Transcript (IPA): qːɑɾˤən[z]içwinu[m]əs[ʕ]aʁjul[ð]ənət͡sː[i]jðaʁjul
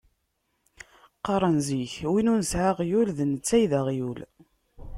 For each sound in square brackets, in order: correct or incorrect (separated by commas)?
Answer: correct, incorrect, correct, correct, incorrect